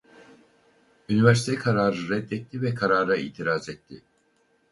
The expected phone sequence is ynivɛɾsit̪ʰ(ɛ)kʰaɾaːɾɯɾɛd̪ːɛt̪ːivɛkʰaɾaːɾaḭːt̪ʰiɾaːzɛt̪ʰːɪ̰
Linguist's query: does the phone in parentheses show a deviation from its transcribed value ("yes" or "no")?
no